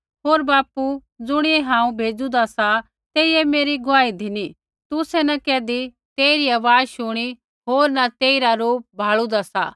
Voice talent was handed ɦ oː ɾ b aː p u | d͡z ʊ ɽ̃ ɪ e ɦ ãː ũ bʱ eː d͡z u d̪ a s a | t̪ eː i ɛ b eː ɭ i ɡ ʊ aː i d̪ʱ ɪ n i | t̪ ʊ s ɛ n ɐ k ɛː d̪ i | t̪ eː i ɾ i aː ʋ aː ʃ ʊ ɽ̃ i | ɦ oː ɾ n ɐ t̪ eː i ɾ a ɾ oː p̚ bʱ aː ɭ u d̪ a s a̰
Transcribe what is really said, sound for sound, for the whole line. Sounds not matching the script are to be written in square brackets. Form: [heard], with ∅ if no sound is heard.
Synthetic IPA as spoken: ɦ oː ɾ b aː p u | d͡z ʊ ɽ̃ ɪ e ɦ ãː ũ bʱ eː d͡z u d̪ a s a | t̪ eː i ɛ [m] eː [ɾ] i ɡ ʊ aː i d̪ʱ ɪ n i | t̪ ʊ s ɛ n ɐ k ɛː d̪ i | t̪ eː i ɾ i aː ʋ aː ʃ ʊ ɽ̃ i | ɦ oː ɾ n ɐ t̪ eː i ɾ a ɾ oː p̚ bʱ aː ɭ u d̪ a s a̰